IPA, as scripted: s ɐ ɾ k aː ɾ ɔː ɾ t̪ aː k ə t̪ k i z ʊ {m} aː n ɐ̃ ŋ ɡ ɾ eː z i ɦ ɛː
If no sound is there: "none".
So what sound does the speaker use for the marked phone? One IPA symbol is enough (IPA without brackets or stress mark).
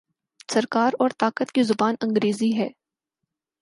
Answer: b